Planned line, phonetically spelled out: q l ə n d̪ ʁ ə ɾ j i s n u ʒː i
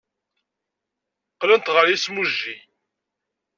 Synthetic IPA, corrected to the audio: q l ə n t̪ ʁ ə ɾ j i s m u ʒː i